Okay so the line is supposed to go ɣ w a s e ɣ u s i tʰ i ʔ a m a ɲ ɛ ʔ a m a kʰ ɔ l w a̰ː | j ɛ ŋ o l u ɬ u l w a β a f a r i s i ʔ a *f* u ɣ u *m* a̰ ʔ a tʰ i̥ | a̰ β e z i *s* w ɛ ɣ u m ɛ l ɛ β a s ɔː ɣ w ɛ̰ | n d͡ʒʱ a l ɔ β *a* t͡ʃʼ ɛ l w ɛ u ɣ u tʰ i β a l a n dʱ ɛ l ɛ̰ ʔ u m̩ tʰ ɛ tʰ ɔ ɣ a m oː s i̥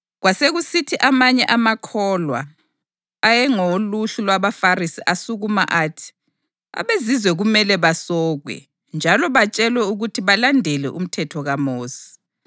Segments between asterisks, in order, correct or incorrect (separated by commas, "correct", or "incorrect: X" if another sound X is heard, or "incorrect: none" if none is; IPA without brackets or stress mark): incorrect: s, correct, incorrect: z, correct